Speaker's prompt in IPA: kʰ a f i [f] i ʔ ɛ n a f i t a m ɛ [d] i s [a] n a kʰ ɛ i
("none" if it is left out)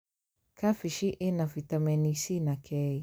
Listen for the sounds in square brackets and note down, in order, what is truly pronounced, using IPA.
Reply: ʃ, n, i

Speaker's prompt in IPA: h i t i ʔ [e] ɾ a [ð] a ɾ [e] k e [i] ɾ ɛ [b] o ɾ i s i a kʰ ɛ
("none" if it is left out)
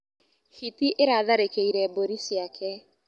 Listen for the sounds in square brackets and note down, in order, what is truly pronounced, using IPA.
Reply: e, ð, e, i, b

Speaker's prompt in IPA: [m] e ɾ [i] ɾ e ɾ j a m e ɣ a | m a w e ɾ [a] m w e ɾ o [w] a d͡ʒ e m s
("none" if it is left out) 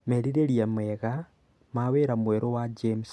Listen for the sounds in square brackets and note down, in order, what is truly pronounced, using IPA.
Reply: m, i, a, w

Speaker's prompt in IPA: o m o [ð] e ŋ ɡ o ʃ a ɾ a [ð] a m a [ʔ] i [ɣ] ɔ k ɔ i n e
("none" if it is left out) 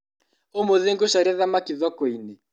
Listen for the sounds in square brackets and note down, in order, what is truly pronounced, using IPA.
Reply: ð, ð, k, ð

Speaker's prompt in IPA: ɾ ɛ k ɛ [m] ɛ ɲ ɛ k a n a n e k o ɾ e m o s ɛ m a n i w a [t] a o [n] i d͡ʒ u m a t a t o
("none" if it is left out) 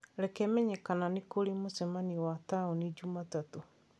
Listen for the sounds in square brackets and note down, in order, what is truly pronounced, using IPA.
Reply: m, t, n

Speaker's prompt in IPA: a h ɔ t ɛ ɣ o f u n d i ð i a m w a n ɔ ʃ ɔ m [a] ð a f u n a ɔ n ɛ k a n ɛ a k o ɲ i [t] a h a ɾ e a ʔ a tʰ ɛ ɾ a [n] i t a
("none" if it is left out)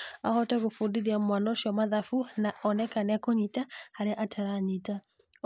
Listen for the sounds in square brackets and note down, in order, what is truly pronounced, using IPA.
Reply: a, t, ɲ

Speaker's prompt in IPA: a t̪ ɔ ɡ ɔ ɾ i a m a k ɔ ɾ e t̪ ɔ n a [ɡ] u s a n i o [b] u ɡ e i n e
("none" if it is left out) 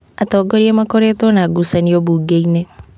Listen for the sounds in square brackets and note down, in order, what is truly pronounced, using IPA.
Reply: ɡ, b

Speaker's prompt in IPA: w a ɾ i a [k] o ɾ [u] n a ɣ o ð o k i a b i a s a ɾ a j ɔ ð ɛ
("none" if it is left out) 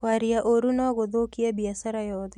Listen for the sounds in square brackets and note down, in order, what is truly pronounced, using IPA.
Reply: ʔ, u

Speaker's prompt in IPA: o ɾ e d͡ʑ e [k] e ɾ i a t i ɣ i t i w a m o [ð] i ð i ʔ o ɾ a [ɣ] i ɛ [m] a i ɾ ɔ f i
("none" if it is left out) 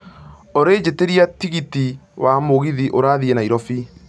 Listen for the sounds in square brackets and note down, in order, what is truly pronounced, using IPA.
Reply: t, ɣ, ð, n

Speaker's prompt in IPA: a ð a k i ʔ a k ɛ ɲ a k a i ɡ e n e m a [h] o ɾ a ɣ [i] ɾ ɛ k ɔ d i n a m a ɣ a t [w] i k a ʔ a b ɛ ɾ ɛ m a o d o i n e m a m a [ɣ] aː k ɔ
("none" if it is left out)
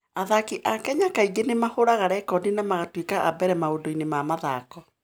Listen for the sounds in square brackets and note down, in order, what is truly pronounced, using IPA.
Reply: h, a, w, ð

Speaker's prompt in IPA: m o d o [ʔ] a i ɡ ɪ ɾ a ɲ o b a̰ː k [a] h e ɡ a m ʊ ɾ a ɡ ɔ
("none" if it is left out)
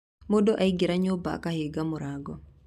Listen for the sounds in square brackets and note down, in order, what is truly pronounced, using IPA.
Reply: ʔ, a

